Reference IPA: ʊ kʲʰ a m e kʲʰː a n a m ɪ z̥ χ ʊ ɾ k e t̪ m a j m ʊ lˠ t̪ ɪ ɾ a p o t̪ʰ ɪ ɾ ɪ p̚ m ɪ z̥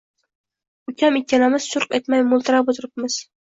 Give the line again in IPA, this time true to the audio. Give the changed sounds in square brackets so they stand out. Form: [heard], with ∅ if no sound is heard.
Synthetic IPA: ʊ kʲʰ a m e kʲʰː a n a m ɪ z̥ [ʃ] ʊ ɾ [q] e t̪ m a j m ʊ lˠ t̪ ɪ ɾ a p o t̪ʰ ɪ ɾ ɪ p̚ m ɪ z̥